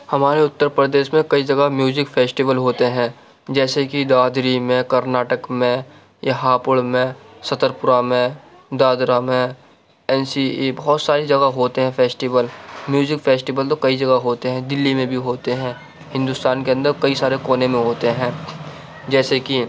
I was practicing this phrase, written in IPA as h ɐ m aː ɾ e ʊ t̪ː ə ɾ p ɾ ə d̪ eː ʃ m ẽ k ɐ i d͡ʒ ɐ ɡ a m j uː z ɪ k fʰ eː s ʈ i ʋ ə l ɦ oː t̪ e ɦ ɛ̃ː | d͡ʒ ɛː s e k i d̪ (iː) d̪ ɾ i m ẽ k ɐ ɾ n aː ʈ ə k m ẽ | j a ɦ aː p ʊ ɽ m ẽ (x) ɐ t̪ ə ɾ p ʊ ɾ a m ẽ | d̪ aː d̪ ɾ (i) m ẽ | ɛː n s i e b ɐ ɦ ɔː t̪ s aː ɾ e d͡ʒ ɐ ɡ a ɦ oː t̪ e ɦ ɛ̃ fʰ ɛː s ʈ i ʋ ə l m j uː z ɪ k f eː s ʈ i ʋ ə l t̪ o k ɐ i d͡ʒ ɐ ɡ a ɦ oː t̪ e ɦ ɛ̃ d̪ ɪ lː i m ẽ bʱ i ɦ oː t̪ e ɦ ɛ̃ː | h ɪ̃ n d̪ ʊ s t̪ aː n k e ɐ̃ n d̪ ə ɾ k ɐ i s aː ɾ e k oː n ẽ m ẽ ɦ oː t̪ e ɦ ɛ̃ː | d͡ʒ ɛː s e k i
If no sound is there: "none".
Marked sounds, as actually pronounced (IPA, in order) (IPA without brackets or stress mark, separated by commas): aː, s, a